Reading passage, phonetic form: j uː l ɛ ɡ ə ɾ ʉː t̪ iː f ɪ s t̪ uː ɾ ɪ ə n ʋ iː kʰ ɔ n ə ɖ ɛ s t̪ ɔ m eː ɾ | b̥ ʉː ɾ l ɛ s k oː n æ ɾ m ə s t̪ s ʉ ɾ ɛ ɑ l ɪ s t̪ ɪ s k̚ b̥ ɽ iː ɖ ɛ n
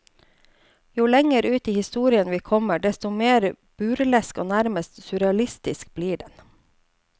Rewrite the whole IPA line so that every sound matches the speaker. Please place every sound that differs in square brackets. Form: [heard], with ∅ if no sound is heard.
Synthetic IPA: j uː l ɛ [ŋ] ə ɾ ʉː t̪ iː [h] ɪ s t̪ uː ɾ ɪ ə n ʋ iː kʰ ɔ [m] ə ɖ ɛ s t̪ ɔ m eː ɾ | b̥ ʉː ɾ l ɛ s k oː n æ ɾ m ə s t̪ s ʉ ɾ ɛ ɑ l ɪ s t̪ ɪ s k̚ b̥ [l] iː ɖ ɛ n